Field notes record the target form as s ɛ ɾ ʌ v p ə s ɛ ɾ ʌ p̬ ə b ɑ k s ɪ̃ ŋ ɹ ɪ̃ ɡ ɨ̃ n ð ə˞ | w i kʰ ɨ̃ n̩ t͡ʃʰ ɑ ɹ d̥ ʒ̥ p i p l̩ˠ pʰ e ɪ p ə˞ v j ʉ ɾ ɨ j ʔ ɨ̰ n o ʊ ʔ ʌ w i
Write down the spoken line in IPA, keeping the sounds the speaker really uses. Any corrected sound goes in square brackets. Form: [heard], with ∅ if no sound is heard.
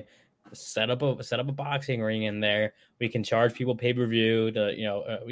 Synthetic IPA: s ɛ ɾ ʌ [∅] p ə s ɛ ɾ ʌ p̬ ə b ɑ k s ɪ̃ ŋ ɹ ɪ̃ [ŋ] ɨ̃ n ð ə˞ | w i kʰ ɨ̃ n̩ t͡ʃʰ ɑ ɹ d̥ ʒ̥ [pʰ] i p l̩ˠ pʰ e ɪ p ə˞ v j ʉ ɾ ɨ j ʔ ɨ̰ n o ʊ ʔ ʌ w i